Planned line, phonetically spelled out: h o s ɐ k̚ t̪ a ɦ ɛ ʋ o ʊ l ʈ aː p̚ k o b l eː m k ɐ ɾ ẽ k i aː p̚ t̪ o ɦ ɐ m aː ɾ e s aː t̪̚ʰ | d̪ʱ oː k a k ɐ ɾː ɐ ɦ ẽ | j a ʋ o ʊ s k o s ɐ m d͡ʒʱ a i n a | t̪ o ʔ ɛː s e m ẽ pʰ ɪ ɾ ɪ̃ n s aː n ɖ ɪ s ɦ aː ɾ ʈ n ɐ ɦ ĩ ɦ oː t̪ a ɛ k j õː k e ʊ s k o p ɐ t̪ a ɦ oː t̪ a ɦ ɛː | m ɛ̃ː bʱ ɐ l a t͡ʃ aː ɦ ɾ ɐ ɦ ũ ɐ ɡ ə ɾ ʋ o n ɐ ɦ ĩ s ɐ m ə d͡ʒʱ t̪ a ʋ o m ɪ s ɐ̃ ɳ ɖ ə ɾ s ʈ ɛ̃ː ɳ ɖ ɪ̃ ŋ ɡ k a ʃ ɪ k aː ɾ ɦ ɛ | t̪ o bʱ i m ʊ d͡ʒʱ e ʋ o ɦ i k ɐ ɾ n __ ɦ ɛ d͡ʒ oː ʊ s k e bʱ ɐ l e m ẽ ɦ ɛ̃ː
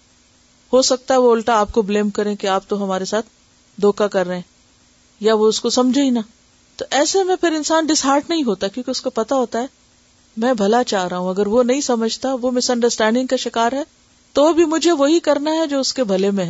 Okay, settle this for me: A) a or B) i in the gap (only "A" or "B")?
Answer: A